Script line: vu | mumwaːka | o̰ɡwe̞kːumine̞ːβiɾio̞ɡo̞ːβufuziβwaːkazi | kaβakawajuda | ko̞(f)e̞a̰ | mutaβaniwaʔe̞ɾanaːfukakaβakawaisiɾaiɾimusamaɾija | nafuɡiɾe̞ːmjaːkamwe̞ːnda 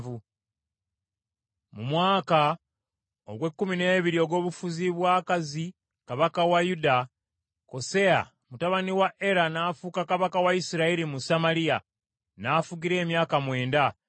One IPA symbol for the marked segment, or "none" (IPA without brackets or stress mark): s